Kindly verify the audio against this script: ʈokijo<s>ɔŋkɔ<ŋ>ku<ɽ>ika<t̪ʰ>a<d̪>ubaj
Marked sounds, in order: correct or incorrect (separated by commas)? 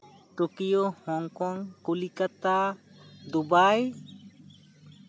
incorrect, correct, incorrect, incorrect, correct